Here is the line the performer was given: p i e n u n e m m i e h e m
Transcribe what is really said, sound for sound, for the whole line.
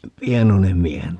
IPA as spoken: p i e n o n e m m i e h e n